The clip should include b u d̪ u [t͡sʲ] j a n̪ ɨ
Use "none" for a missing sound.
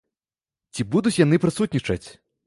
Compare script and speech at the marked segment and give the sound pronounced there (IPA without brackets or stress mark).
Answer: t͡sʲ